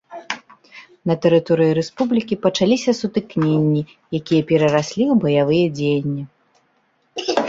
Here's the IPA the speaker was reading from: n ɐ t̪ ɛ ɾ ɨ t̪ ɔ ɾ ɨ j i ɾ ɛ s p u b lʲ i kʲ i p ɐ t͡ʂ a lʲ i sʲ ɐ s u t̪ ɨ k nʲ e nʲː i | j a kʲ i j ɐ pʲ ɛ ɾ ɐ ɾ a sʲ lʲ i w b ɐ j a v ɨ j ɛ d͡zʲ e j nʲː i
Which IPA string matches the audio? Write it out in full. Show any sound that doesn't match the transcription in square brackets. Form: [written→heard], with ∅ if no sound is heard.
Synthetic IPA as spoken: n ɐ t̪ ɛ ɾ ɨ t̪ ɔ ɾ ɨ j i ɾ ɛ s p u b lʲ i kʲ i p ɐ t͡ʂ a lʲ i sʲ ɐ s u t̪ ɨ k nʲ e nʲː i | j a kʲ i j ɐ pʲ ɛ ɾ ɐ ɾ a sʲ lʲ i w b ɐ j a v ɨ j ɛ d͡zʲ e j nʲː i